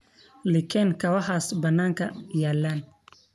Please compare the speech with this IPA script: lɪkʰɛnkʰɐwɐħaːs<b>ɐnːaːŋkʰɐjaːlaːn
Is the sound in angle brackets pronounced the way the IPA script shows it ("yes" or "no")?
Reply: yes